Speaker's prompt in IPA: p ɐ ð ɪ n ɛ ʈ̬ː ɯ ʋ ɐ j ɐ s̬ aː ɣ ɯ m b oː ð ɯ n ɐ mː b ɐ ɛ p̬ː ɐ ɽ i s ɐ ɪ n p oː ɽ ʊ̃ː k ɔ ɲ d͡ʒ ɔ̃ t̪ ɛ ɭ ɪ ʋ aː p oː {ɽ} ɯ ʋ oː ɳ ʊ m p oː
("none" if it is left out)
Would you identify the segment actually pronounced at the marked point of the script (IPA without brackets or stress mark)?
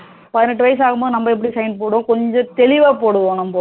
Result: ɽ